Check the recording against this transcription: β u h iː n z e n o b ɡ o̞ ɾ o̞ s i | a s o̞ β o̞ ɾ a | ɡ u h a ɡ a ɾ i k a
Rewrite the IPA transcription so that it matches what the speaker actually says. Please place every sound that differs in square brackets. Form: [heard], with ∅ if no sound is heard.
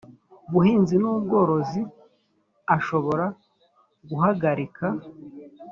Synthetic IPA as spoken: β u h iː n z [i] n [u] b ɡ o̞ ɾ o̞ [z] i | a [ʃ] o̞ β o̞ ɾ a | ɡ u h a ɡ a ɾ i k a

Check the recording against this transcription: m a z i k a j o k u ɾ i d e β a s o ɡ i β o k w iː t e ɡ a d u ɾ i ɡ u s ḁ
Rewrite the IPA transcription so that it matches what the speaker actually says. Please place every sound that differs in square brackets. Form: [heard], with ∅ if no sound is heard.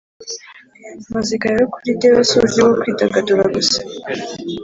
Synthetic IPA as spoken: m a z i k a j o k u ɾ i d e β a s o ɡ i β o k w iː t [a] ɡ a d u ɾ [a] ɡ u s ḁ

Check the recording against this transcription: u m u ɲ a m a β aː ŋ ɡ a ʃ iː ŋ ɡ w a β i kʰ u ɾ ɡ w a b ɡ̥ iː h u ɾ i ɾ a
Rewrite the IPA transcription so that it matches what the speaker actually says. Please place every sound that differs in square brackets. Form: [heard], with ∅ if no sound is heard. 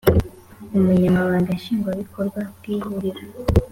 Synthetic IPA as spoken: u m u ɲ a m a β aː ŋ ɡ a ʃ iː ŋ ɡ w a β i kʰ [o] ɾ ɡ w a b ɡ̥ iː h u ɾ i ɾ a

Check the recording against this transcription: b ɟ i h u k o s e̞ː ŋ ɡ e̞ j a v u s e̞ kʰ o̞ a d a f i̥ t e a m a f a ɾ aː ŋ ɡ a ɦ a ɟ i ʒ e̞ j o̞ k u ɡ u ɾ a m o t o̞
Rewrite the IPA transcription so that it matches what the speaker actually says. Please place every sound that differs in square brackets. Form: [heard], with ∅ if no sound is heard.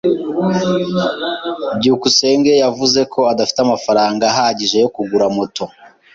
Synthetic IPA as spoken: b ɟ i h u k [u] s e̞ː ŋ ɡ e̞ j a v u [z] e̞ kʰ o̞ a d a f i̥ t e a m a f a ɾ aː ŋ ɡ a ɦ a ɟ i ʒ e̞ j o̞ k u ɡ u ɾ a m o t o̞

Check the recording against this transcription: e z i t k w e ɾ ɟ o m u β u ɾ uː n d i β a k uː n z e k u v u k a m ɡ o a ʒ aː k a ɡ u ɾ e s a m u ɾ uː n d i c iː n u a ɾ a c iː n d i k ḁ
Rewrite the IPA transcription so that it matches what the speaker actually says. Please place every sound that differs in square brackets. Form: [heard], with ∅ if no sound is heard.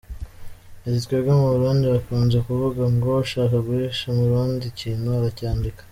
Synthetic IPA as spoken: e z i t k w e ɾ [ɡ] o m u β u ɾ uː n d i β a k uː n z e k u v u [ɡ] a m ɡ o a [ʃ] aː k a ɡ u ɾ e [ʃ] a m u ɾ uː n d i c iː n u a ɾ a c [aː] n d i k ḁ

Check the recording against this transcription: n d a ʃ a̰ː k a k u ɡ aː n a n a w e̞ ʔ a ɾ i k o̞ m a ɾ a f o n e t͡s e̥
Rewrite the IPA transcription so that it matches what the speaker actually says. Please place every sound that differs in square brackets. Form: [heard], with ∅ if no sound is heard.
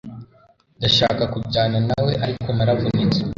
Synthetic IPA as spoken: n d a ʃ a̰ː k a k u [ɟ] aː n a n a w e̞ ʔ a ɾ i k o̞ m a ɾ a [v] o n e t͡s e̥

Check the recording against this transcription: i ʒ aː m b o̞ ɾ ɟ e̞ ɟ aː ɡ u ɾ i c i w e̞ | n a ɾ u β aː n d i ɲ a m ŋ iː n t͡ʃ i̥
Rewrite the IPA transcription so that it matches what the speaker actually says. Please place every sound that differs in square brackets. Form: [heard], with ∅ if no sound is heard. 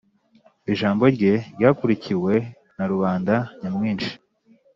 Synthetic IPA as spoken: i ʒ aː m b o̞ ɾ ɟ e̞ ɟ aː [k] u ɾ i c i w e̞ | n a ɾ u β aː n d [a] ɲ a m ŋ iː n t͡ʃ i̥

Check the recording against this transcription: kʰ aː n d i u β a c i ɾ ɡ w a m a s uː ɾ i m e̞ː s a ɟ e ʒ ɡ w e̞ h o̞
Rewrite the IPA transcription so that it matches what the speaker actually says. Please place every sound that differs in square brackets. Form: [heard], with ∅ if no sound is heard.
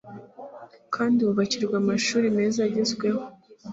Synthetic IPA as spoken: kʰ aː n d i u β a c i ɾ ɡ w a m a [ʃ] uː ɾ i m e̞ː [z] a ɟ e [z] ɡ w e̞ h o̞

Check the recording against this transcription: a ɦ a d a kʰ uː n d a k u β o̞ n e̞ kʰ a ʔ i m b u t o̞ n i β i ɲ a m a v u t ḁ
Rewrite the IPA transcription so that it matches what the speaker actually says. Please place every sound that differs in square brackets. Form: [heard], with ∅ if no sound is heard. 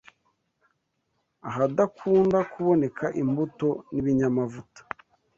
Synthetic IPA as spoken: a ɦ a d a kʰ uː n d a k u β o̞ n e̞ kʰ a ʔ i m b u t o̞ n i β i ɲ a m a v u t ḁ

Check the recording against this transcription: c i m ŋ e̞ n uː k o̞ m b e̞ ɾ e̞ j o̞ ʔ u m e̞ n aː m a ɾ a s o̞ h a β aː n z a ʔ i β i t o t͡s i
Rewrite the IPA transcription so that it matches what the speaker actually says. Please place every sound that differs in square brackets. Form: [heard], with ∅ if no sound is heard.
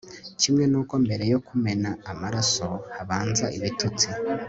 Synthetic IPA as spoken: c i m ŋ e̞ n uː k o̞ m b e̞ ɾ e̞ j o̞ [k] u m e̞ n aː m a ɾ a s o̞ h a β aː n z a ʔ i β i t [u] t͡s i

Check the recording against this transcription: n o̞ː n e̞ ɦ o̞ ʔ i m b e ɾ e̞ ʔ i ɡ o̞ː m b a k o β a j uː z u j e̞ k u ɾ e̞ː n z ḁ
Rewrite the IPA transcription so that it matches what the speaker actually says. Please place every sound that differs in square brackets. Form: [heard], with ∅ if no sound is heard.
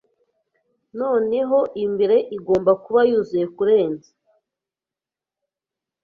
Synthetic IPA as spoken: n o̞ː n e̞ ɦ o̞ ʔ i m b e ɾ e̞ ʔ i ɡ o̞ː m b a k [u] β a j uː z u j e̞ k u ɾ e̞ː n z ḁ

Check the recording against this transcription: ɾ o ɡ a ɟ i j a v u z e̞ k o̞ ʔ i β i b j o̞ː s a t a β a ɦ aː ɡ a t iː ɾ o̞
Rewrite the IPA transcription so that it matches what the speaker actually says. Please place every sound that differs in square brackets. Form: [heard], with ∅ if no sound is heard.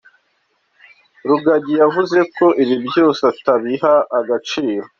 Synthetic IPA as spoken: ɾ [u] ɡ a ɟ i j a v u z e̞ k o̞ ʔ i β i b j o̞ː s a t a β [i] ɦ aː ɡ a [t͡ʃ] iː ɾ o̞

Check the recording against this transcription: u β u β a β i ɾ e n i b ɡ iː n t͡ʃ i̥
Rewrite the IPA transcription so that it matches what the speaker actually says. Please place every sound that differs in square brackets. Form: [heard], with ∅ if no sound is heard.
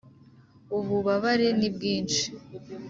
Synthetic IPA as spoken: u β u β a β [a] ɾ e n i b ɡ iː n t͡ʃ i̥

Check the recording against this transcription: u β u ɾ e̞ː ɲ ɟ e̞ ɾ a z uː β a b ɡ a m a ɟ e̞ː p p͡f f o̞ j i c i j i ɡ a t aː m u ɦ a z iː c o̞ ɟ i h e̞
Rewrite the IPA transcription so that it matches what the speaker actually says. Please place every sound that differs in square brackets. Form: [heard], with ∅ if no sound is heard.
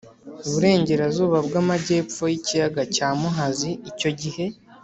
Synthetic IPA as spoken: u β u ɾ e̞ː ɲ ɟ e̞ ɾ a z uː β a b ɡ a m a ɟ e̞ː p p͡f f o̞ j i c i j [a] ɡ a [c] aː m u ɦ a z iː c o̞ ɟ i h e̞

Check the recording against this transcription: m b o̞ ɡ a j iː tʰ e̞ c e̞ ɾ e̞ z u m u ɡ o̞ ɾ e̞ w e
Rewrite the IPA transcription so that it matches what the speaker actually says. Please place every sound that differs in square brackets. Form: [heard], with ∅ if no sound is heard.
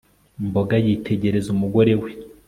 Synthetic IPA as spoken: m b o̞ ɡ a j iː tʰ e̞ [ɟ] e̞ ɾ e̞ z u m u ɡ o̞ ɾ e̞ w e

